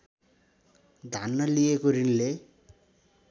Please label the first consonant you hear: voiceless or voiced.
voiced